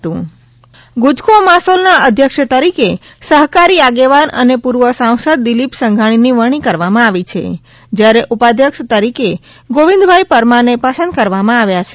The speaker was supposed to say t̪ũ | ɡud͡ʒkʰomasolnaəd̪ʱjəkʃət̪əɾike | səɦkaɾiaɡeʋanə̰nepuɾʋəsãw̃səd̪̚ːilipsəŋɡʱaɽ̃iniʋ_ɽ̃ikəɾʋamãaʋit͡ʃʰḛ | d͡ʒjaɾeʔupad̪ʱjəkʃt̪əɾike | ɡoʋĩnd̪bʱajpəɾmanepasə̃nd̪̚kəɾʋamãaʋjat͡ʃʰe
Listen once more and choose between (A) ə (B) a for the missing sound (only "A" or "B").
A